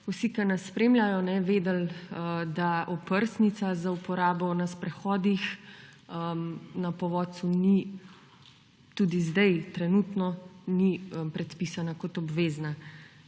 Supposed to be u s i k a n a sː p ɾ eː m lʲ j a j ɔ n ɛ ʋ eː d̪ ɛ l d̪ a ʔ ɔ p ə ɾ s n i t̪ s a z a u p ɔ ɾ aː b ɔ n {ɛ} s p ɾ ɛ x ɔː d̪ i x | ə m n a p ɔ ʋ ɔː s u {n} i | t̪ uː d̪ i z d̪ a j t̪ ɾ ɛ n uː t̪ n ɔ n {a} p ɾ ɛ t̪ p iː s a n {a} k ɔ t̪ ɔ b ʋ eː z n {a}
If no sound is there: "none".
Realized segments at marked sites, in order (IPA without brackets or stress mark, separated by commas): a, n, i, a, a